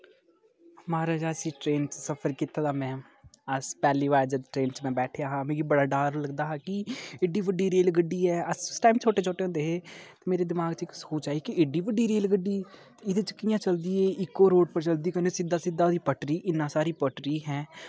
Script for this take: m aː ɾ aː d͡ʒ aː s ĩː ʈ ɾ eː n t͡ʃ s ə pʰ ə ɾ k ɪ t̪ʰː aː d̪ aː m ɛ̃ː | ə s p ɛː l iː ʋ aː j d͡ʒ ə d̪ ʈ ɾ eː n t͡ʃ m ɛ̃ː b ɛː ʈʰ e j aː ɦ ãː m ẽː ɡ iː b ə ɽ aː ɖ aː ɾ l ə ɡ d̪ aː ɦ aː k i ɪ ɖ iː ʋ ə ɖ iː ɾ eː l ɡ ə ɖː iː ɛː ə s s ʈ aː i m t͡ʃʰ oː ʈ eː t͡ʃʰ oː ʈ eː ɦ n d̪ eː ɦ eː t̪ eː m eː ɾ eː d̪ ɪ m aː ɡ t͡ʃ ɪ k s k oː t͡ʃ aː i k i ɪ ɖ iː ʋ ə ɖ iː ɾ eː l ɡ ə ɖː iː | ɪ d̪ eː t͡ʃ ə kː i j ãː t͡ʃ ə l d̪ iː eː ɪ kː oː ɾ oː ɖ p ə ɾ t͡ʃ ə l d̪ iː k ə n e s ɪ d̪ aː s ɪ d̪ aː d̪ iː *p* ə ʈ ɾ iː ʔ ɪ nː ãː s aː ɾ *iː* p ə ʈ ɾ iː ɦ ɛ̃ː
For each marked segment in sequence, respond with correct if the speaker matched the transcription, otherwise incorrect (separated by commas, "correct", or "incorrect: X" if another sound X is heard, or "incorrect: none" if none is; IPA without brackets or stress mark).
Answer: correct, correct